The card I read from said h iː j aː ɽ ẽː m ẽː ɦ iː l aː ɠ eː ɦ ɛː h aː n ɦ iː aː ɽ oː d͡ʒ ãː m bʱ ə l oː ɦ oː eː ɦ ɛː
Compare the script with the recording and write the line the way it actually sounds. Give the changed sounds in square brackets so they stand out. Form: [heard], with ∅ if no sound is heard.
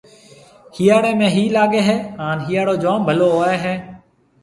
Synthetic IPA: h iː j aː ɽ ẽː m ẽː ɦ iː l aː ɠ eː ɦ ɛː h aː n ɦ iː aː ɽ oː d͡ʒ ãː m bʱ ə l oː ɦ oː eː ɦ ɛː